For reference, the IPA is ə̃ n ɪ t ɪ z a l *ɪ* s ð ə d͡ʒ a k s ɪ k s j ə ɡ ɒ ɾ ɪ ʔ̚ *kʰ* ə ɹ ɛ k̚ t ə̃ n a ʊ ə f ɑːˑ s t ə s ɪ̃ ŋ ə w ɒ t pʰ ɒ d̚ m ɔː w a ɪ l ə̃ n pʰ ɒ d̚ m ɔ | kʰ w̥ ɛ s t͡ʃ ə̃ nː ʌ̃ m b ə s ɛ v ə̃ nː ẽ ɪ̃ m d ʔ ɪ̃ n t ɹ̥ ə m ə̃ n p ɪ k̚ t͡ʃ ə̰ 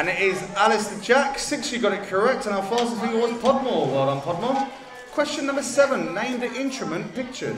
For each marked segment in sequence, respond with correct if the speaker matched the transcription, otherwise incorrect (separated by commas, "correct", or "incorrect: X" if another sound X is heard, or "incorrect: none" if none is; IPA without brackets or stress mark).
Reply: correct, correct